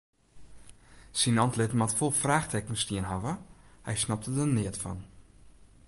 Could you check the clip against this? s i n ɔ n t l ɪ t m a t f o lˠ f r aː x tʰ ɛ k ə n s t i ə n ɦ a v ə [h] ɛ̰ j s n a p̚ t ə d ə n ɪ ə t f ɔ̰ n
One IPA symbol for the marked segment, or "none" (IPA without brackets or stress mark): h